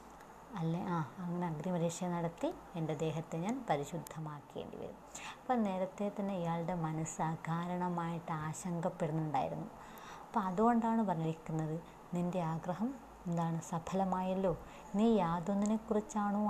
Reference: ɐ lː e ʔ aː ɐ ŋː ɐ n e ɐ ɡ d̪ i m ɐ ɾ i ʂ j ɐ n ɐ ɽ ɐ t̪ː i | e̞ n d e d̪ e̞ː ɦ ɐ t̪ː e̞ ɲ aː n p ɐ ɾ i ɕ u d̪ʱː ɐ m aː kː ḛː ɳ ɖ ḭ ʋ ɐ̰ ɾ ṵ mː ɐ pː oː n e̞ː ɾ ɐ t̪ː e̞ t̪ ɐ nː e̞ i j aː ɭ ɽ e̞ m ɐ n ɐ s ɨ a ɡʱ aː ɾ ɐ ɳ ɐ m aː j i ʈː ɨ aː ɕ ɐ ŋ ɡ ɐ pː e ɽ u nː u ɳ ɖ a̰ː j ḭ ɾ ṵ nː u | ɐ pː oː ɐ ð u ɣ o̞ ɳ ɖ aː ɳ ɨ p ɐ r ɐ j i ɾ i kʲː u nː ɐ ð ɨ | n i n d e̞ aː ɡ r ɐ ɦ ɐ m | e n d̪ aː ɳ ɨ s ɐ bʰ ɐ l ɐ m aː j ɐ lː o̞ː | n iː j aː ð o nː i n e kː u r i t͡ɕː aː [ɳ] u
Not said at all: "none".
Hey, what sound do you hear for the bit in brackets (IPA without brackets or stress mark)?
ɳ